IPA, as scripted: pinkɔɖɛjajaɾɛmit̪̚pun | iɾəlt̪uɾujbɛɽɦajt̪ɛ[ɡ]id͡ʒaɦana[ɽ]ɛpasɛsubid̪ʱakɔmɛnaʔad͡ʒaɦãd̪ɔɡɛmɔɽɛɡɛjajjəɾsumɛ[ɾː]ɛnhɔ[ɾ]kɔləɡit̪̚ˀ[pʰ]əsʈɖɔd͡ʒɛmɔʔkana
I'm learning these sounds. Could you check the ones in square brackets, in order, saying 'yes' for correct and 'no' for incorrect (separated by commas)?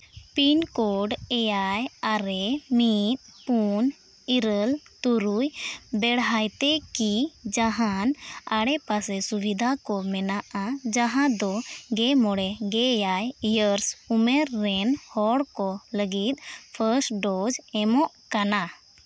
no, yes, yes, no, yes